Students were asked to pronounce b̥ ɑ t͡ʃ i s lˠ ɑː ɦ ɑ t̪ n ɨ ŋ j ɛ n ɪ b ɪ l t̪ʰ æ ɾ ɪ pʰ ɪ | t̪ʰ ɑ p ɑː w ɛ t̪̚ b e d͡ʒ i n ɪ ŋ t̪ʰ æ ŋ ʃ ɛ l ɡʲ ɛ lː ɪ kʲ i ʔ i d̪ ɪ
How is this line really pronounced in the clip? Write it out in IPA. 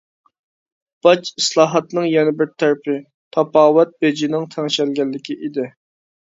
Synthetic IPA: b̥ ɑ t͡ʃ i s lˠ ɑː ɦ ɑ t̪ n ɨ ŋ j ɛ n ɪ b ɪ ɾ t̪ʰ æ ɾ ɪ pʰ ɪ | t̪ʰ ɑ p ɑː w ɛ t̪̚ b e d͡ʒ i n ɪ ŋ t̪ʰ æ ŋ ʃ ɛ l ɡʲ ɛ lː ɪ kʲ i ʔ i d̪ ɪ